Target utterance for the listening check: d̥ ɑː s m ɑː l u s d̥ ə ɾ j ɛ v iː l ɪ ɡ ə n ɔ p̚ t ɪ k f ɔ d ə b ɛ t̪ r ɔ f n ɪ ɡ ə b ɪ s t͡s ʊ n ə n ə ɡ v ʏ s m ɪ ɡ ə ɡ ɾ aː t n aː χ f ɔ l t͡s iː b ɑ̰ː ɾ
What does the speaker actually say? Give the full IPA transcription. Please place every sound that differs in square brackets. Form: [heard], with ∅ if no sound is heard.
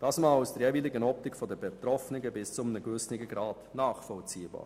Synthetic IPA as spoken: d̥ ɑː s m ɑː l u s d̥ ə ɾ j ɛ v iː l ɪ ɡ ə n ɔ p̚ t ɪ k f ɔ d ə b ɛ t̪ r ɔ f n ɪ ɡ ə b ɪ s t͡s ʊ [m] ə n ə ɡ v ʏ s [n] ɪ ɡ ə ɡ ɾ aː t n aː χ f ɔ l t͡s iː b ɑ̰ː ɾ